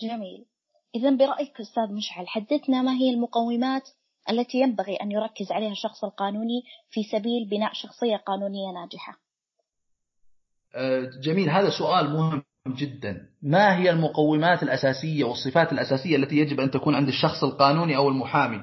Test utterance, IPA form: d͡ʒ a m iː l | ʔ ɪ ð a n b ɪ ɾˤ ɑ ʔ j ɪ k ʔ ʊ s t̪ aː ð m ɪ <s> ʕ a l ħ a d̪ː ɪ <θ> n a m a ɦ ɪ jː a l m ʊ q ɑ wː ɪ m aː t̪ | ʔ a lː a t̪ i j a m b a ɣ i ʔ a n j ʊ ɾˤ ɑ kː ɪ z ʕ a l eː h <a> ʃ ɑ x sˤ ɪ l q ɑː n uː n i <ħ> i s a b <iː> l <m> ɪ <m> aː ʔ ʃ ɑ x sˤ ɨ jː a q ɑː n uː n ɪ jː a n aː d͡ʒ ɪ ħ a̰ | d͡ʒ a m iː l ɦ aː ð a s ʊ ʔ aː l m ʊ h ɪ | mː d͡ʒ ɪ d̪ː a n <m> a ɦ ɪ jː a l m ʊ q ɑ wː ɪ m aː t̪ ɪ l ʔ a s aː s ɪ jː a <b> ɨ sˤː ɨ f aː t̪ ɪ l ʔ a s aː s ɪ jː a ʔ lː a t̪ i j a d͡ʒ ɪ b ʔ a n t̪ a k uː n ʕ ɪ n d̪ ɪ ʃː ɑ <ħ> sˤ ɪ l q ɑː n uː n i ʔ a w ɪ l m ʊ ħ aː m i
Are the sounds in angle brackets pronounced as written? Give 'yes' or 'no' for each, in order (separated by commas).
no, yes, yes, no, yes, no, no, yes, no, no